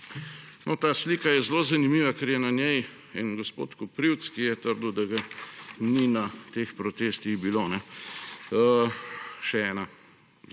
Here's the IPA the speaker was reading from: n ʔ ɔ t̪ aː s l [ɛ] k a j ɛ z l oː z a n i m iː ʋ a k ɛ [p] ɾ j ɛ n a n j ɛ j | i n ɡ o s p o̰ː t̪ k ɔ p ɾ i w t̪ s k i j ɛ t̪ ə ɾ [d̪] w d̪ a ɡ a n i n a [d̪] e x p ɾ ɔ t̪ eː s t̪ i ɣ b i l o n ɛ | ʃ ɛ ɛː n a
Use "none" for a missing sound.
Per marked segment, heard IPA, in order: i, none, d̪, t̪

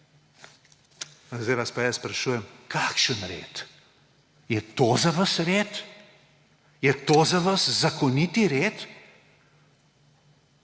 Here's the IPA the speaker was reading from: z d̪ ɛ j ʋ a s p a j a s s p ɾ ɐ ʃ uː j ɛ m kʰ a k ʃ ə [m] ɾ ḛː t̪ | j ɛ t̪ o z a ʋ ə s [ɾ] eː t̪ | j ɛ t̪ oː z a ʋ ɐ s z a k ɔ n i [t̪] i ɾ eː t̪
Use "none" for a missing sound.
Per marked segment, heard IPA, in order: n, ɾ, t̪

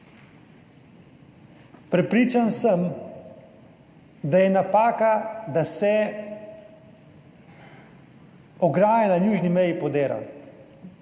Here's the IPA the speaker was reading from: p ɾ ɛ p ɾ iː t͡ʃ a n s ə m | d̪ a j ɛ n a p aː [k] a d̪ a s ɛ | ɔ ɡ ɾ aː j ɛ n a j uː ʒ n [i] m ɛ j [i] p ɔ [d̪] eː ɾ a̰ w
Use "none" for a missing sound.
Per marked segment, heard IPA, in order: k, i, i, d̪

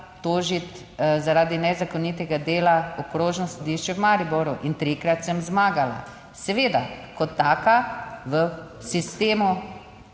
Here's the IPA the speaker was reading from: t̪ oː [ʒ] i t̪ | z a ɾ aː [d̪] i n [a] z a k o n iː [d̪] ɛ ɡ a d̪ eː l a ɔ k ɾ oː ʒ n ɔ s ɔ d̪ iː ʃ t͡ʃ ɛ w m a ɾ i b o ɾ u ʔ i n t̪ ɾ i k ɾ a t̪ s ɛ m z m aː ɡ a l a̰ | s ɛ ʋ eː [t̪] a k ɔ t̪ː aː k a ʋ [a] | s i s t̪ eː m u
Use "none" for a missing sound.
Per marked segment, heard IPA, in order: ʒ, d̪, ɛ, t̪, d̪, ə

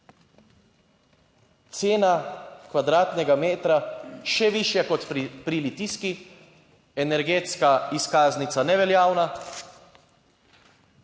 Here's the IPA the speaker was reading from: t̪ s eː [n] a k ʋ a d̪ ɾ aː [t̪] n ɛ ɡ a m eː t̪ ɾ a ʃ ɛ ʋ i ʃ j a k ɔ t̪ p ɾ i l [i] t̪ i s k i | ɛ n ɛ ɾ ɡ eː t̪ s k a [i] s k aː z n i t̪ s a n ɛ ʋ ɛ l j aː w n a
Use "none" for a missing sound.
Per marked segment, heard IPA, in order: n, t̪, i, i

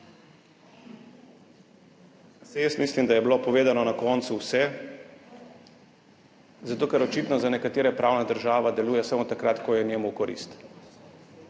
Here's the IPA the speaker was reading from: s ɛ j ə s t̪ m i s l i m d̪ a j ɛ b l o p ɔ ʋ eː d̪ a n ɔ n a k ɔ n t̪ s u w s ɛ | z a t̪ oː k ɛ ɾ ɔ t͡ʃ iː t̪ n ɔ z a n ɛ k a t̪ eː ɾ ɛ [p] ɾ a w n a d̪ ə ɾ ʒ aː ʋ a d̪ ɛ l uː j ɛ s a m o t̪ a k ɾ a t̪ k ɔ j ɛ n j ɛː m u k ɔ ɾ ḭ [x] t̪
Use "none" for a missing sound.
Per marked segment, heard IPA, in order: p, s

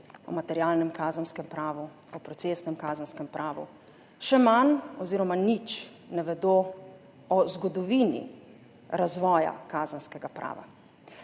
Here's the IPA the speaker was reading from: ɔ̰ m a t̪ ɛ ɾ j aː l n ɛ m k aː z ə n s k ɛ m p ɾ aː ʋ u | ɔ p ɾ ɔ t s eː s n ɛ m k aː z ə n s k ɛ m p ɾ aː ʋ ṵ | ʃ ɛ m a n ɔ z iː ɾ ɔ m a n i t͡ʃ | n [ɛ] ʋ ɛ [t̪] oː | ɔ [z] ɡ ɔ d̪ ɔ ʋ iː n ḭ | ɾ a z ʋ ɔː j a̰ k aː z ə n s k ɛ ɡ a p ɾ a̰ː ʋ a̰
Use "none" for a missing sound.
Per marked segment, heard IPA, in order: ɛ, d̪, z

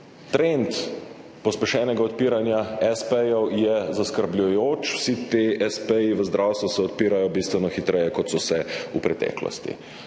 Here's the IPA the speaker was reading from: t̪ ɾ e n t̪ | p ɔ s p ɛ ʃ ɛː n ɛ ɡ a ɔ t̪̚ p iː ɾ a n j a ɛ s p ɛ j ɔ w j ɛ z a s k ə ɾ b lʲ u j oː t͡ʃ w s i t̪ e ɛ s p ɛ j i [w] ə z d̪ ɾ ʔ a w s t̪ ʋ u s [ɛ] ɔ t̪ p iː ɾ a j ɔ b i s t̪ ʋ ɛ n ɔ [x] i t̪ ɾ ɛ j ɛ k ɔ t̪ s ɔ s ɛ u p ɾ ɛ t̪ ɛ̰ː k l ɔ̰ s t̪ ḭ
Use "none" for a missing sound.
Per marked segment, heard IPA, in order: ʋ, ɛ, x

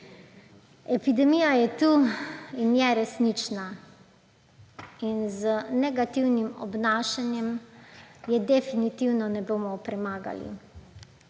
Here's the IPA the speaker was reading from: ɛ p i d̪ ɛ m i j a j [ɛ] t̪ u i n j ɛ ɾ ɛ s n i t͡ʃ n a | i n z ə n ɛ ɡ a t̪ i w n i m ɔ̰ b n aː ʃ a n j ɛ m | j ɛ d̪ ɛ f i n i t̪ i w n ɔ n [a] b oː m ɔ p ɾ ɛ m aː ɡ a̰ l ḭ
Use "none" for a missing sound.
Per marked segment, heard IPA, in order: ɛ, ɛ

